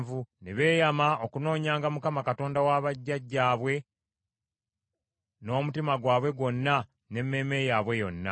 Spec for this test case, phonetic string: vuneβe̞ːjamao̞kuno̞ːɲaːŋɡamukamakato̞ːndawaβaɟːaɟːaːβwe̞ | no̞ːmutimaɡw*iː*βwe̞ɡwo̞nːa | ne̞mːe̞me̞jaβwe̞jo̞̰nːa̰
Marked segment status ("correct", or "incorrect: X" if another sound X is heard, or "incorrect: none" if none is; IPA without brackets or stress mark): incorrect: aː